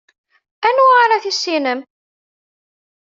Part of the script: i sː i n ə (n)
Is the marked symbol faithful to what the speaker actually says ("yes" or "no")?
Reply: no